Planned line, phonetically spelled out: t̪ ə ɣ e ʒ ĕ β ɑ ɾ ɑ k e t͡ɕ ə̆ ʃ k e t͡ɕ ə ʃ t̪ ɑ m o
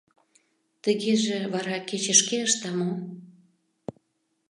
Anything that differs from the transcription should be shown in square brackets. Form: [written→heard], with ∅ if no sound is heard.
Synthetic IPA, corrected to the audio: t̪ ə ɣ e ʒ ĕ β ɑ ɾ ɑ k e t͡ɕ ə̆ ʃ k e [t͡ɕ→∅] ə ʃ t̪ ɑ m o